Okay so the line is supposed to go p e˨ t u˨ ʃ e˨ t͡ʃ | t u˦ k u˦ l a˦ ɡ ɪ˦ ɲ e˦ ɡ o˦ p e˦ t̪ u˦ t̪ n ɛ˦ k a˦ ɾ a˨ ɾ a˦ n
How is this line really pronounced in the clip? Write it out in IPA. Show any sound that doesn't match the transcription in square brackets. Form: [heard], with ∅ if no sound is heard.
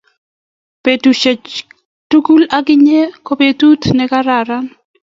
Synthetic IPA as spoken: p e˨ t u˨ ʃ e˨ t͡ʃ | t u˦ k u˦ l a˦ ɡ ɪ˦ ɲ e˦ [k] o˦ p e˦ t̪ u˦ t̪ n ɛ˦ k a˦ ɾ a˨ ɾ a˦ n